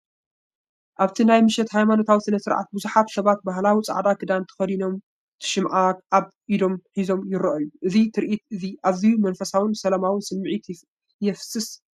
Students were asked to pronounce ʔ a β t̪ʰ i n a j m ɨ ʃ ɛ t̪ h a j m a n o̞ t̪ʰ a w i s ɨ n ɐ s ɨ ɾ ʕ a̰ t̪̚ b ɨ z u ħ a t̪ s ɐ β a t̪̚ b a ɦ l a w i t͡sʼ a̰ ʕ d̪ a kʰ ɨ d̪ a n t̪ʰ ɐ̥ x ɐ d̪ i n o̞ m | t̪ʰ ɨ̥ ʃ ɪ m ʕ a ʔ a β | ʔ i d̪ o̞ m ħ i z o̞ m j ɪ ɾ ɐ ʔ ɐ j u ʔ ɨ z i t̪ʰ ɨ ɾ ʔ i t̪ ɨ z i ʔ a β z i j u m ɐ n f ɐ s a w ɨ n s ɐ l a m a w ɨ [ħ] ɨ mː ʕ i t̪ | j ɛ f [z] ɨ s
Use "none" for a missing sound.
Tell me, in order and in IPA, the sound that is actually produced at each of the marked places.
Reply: s, s

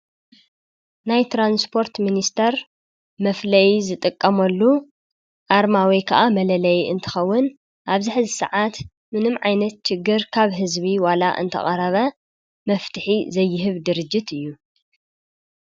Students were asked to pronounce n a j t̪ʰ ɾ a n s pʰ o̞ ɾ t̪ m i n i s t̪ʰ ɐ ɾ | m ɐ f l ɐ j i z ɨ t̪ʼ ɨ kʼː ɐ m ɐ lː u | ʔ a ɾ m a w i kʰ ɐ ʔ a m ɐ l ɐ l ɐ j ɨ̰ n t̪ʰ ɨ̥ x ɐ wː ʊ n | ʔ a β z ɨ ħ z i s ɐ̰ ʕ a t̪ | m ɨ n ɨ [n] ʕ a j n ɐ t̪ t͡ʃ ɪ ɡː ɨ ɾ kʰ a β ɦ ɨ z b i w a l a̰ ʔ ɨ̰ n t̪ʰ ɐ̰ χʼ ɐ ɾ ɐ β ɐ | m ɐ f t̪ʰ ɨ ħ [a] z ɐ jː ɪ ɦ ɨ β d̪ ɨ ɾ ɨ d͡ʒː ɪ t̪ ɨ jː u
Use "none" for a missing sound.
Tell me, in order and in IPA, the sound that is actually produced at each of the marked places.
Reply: m, i

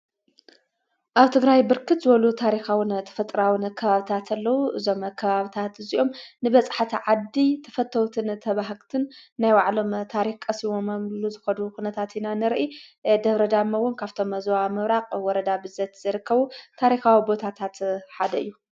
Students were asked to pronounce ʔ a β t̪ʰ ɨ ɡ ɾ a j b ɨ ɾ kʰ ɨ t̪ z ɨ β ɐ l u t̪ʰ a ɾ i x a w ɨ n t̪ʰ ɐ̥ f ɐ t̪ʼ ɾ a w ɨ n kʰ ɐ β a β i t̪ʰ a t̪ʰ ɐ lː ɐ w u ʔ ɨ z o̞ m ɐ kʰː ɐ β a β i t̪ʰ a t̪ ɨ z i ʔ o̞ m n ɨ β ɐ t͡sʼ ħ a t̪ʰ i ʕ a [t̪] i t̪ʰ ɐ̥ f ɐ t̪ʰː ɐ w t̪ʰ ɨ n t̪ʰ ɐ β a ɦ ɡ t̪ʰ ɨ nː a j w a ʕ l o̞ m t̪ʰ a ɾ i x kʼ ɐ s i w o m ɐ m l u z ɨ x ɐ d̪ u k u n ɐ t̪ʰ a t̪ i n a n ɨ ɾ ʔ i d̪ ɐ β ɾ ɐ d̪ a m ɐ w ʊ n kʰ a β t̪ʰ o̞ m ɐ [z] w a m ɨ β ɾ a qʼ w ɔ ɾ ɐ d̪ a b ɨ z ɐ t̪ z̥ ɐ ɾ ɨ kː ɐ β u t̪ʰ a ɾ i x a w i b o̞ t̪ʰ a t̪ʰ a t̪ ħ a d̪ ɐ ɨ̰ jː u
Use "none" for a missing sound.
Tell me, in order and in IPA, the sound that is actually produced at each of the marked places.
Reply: d̪, z

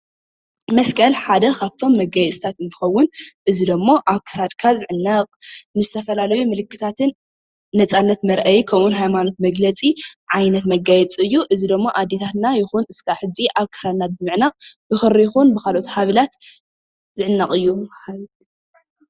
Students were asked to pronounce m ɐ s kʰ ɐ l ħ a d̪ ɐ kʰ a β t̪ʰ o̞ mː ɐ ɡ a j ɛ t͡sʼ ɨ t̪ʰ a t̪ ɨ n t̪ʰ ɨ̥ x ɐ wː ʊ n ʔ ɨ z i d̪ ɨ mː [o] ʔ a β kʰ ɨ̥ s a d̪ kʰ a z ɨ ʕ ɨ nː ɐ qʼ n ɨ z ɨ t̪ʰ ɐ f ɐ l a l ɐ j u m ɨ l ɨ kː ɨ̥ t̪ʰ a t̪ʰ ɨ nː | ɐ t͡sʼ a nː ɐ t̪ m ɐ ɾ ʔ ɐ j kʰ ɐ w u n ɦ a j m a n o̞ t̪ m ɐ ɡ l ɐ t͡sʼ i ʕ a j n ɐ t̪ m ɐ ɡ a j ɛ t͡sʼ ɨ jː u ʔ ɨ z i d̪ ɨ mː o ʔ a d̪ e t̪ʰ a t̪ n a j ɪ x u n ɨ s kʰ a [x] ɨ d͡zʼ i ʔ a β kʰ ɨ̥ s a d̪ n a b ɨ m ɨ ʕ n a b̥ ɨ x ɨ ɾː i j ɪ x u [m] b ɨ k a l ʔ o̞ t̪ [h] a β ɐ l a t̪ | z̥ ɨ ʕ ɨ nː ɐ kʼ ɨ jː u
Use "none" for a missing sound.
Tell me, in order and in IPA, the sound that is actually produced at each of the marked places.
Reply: o, ħ, n, h

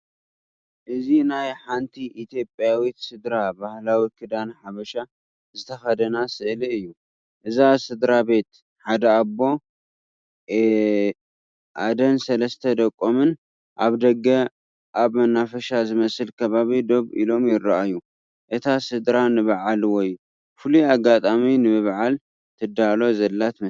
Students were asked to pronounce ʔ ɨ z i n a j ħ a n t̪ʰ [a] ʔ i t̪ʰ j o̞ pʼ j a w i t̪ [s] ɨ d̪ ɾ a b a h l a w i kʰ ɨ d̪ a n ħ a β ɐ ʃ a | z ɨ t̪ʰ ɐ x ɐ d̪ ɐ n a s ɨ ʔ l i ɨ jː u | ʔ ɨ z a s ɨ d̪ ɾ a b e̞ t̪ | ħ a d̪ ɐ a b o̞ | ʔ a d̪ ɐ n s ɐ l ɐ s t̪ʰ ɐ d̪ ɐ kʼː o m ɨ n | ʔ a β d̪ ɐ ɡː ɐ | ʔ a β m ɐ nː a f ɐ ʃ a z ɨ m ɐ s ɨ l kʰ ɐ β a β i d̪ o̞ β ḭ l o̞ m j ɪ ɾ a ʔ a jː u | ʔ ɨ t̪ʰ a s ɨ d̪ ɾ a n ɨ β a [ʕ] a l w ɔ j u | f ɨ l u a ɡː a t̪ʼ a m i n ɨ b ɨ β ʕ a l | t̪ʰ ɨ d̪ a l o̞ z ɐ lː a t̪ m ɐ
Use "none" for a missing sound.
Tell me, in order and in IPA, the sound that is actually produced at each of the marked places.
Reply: i, s, ʕ

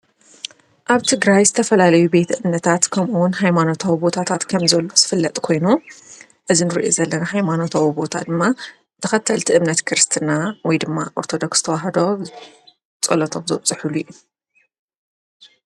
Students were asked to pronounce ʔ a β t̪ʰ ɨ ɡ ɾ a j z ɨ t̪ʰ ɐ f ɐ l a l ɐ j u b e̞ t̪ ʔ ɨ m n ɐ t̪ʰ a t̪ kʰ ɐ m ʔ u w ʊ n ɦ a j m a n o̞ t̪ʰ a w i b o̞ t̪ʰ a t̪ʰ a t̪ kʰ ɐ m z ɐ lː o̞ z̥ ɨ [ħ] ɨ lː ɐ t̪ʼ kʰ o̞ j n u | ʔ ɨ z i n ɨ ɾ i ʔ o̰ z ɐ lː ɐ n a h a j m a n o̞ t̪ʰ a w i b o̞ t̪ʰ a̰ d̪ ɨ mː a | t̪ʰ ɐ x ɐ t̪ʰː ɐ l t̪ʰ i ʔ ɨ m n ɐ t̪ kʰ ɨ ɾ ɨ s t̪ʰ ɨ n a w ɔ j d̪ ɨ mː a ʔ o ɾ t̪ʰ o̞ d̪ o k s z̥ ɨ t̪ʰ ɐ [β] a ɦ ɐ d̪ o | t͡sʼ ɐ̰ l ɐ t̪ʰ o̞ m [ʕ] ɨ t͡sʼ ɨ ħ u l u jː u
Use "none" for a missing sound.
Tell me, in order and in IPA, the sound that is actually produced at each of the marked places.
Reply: f, w, z

